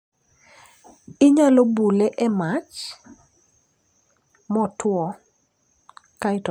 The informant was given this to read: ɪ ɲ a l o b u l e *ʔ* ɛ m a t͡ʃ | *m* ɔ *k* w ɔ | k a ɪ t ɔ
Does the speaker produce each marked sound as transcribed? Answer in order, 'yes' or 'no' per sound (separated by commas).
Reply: yes, yes, no